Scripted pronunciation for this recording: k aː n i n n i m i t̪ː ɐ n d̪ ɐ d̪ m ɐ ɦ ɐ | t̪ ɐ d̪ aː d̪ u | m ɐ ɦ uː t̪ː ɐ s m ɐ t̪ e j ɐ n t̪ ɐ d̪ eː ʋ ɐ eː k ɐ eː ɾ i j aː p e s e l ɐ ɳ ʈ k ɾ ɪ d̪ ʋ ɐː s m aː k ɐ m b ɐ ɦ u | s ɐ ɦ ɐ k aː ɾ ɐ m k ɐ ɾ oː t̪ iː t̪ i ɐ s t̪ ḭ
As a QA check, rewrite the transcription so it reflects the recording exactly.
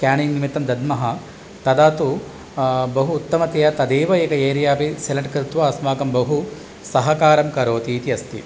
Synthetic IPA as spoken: k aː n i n n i m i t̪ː ɐ m d̪ ɐ d̪ m ɐ ɦ ɐ | t̪ ɐ d̪ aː t̪ u | b ɐ ɦ uː t̪ː ɐ m ɐ t̪ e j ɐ t̪ ɐ d̪ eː ʋ ɐ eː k ɐ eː ɾ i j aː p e s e l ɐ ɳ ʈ k ɾ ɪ t̪ ʋ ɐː s m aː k ɐ m b ɐ ɦ u | s ɐ ɦ ɐ k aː ɾ ɐ m k ɐ ɾ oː t̪ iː t̪ i ɐ s t̪ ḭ